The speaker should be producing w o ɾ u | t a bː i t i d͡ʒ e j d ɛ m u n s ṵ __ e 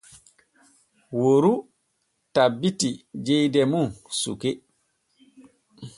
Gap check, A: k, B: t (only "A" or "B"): A